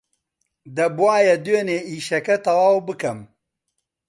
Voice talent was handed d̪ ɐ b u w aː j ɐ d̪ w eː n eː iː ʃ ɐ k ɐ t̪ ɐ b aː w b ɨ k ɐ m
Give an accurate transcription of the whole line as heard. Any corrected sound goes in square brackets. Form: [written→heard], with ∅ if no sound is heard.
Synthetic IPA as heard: d̪ ɐ b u w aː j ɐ d̪ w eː n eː iː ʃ ɐ k ɐ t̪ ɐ [b→w] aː w b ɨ k ɐ m